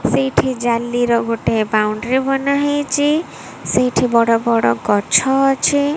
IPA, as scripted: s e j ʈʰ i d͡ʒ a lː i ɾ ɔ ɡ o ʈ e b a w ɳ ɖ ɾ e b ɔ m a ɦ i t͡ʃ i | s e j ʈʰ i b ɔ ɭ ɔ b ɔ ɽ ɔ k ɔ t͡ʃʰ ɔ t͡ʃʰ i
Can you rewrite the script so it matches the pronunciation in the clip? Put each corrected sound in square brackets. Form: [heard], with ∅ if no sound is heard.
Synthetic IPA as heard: s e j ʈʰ i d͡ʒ a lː i ɾ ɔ ɡ o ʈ e b a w ɳ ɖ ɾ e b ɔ [n] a ɦ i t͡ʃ i | s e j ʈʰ i b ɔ [ɽ] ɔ b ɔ ɽ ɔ [ɡ] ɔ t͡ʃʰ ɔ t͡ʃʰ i